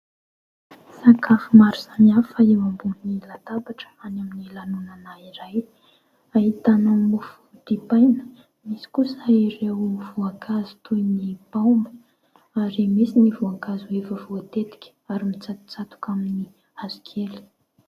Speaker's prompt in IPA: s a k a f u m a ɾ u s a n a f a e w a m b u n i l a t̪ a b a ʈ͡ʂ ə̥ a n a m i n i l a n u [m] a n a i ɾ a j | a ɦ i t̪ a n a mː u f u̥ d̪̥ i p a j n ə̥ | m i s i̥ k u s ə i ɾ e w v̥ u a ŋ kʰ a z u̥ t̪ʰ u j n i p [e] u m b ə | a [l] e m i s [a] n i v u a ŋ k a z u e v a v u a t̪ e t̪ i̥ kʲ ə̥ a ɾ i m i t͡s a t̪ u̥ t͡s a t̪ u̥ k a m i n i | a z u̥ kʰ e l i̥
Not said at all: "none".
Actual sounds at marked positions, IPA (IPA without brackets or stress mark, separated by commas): n, a, ɾ, i